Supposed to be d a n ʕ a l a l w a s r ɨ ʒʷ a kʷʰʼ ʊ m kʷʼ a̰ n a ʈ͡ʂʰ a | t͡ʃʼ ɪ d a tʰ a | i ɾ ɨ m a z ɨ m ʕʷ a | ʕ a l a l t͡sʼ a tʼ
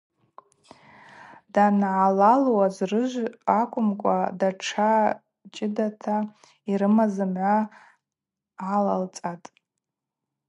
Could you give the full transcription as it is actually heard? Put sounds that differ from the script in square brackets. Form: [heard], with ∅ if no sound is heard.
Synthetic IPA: d a n ʕ a l a l w a [z] r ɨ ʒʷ a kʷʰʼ ʊ m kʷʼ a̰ [d] a ʈ͡ʂʰ a | t͡ʃʼ ɪ d a tʰ a | i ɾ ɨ m a z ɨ m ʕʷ a | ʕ a l a l t͡sʼ a tʼ